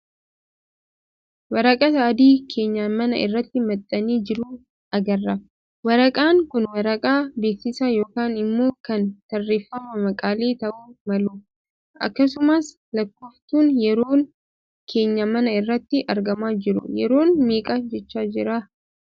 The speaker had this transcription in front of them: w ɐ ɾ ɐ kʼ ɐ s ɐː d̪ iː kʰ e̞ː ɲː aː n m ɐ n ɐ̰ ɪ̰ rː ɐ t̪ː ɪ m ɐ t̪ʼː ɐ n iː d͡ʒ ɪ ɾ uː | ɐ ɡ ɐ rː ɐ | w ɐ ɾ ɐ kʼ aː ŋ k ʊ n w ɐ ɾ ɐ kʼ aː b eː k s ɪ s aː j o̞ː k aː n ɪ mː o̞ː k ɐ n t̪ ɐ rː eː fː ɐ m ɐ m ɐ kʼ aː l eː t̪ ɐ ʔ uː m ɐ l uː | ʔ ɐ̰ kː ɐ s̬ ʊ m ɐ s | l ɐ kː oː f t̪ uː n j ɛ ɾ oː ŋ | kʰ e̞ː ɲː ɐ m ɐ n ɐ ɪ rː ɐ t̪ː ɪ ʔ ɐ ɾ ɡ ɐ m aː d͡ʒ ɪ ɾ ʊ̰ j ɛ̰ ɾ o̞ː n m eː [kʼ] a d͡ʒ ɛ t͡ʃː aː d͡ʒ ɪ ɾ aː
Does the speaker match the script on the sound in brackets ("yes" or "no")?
yes